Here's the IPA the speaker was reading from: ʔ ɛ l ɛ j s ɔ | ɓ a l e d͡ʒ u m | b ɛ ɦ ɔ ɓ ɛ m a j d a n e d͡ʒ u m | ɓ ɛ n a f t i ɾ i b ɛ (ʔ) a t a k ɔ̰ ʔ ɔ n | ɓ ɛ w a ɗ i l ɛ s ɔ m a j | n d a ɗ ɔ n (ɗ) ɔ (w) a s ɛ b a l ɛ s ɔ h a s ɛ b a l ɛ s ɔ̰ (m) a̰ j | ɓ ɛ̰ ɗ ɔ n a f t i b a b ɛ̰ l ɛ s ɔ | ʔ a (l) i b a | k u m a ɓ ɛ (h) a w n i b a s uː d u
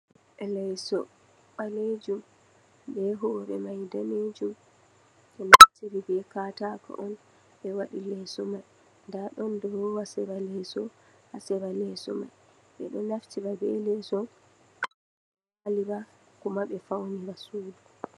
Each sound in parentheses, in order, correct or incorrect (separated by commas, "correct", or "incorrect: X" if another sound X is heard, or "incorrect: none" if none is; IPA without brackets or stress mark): incorrect: k, incorrect: d, correct, correct, correct, incorrect: f